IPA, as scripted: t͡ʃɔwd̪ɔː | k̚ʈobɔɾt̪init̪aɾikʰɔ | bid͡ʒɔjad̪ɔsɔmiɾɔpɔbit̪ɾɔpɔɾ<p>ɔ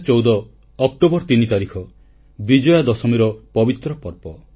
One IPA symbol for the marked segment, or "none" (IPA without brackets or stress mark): p